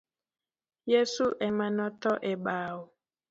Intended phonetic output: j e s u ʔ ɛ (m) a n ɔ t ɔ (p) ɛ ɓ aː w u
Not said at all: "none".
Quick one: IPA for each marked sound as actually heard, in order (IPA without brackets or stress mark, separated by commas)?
m, ʔ